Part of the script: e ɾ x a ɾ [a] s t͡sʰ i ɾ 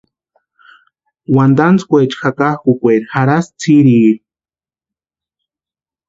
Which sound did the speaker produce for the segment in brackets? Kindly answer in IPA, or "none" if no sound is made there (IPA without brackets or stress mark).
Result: a